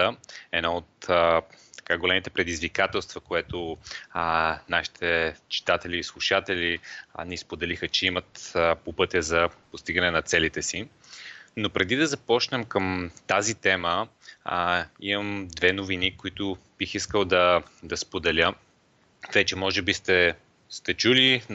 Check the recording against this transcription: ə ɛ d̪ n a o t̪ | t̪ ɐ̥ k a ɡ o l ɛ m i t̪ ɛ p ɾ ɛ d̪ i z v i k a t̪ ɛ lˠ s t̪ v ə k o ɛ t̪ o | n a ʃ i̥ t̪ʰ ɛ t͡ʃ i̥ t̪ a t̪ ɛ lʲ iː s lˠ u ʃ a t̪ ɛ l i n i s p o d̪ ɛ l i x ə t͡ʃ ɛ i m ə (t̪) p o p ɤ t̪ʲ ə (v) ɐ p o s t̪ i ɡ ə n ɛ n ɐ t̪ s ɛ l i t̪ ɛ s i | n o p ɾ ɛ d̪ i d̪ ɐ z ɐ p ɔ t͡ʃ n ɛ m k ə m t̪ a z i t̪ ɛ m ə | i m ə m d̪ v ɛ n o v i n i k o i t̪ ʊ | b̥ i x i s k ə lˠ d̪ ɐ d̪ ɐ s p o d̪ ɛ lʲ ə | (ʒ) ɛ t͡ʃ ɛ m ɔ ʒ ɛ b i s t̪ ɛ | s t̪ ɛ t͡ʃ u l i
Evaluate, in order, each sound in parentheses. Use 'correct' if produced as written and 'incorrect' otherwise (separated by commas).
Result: correct, incorrect, incorrect